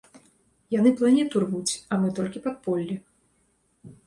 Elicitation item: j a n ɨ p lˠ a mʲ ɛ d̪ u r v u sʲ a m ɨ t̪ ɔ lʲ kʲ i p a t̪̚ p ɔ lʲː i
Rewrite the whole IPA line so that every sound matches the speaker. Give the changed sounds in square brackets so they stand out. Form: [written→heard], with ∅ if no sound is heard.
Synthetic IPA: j a n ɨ p lˠ a [mʲ→nʲ] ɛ [d̪→t̪] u r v u [sʲ→t͡sʲ] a m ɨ t̪ ɔ lʲ kʲ i p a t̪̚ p ɔ lʲː i